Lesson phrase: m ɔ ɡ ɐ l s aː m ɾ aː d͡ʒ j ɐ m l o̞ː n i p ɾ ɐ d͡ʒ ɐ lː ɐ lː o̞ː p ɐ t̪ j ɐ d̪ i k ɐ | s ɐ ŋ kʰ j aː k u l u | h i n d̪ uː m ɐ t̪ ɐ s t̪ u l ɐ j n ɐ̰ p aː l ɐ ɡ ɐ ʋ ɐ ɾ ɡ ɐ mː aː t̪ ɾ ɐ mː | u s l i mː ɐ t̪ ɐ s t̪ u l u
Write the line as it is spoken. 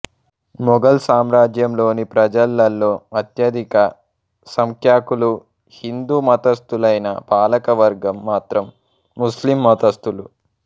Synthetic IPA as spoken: m ɔ ɡ ɐ l s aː m ɾ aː d͡ʒ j ɐ m l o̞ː n i p ɾ ɐ d͡ʒ ɐ lː ɐ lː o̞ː ɐ t̪ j ɐ d̪ i k ɐ | s ɐ ŋ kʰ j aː k u l u | h i n d̪ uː m ɐ t̪ ɐ s t̪ u l ɐ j n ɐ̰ p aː l ɐ k ɐ ʋ ɐ ɾ ɡ ɐ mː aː t̪ ɾ ɐ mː | u s l i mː ɐ t̪ ɐ s t̪ u l u